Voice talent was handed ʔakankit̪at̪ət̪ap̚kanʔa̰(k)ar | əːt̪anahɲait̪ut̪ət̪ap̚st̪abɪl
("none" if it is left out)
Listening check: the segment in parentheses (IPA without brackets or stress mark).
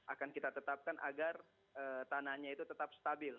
ɡ